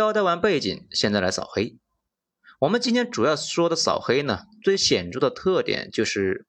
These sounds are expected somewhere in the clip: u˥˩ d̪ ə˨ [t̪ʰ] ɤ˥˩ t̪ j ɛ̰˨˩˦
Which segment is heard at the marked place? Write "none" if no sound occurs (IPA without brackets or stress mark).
t̪ʰ